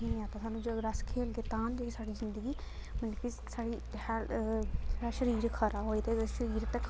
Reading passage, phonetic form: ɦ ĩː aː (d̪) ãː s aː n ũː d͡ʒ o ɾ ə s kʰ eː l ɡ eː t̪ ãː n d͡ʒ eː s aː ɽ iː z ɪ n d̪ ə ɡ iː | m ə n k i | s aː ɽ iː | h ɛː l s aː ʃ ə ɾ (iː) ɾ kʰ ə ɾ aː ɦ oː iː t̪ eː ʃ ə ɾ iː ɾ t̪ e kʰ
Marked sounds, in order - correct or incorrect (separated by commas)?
incorrect, correct